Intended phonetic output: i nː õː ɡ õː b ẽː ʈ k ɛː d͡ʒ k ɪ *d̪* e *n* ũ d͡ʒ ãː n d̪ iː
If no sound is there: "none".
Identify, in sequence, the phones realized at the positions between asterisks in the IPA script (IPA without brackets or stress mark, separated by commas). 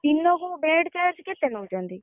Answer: t̪, n